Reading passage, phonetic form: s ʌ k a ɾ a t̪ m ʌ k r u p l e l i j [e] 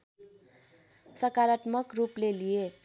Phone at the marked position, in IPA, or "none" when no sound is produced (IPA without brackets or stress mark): e